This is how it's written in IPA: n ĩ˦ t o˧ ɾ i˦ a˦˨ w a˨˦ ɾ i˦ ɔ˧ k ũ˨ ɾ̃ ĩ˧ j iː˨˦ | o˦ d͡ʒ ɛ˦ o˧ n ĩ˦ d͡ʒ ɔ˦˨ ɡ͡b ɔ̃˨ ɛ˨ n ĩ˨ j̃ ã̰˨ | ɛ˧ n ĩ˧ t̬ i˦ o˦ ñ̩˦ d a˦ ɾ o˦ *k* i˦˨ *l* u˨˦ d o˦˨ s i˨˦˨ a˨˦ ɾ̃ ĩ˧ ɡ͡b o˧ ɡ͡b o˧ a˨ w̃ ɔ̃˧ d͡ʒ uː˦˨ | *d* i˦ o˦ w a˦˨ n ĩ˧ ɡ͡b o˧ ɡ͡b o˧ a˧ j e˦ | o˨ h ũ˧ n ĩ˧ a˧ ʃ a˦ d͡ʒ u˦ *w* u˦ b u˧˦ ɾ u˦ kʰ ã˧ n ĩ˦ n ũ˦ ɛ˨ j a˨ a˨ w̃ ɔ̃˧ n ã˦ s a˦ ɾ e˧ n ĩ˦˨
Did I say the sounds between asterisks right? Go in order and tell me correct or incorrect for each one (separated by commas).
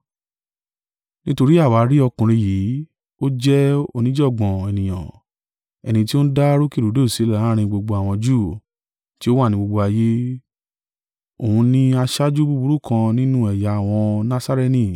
correct, incorrect, incorrect, incorrect